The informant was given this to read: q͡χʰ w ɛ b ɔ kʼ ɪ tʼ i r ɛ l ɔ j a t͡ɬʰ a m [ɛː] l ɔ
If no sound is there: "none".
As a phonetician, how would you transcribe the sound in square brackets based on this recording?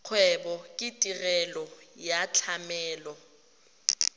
ɛː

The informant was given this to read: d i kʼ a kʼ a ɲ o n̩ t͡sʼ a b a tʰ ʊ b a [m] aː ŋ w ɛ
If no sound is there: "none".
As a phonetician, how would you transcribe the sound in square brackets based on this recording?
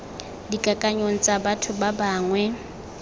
b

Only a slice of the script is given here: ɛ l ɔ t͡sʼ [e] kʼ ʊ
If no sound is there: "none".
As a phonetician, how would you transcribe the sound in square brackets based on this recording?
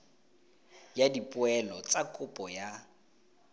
a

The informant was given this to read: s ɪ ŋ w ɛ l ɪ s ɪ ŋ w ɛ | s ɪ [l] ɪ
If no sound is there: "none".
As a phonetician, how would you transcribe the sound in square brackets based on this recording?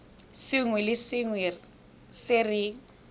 r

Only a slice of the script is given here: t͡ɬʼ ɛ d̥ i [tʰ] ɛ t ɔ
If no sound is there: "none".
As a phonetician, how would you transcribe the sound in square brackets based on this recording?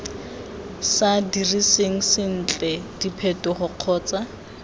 pʰ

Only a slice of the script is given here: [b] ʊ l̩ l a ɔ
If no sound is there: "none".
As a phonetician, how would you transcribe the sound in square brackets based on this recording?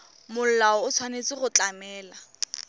m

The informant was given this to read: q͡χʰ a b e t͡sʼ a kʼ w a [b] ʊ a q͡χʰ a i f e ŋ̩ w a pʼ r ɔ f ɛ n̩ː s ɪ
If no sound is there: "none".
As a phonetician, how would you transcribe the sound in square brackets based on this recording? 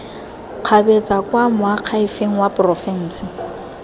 m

